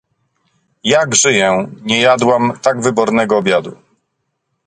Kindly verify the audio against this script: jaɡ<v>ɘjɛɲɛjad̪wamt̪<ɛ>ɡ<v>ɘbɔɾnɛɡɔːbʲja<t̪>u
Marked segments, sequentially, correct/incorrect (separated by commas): incorrect, incorrect, correct, incorrect